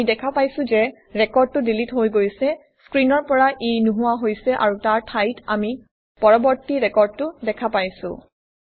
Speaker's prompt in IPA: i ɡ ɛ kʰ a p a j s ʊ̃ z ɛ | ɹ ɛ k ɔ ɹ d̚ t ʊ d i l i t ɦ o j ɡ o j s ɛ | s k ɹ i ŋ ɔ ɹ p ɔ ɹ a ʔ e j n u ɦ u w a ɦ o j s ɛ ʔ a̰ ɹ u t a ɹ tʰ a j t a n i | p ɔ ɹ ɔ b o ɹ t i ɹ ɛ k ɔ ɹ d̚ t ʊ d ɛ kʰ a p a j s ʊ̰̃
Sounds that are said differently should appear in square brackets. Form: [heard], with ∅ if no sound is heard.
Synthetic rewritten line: i [d] ɛ kʰ a p a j s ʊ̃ z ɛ | ɹ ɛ k ɔ ɹ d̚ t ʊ d i l i t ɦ o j ɡ o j s ɛ | s k ɹ i [n] ɔ ɹ p ɔ ɹ a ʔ e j n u ɦ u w a ɦ o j s ɛ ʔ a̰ ɹ u t a ɹ tʰ a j t a [m] i | p ɔ ɹ ɔ b [ɔ] ɹ t i ɹ ɛ k ɔ ɹ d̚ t ʊ d ɛ kʰ a p a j s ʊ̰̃